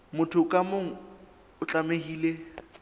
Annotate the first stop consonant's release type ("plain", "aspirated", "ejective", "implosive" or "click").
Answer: aspirated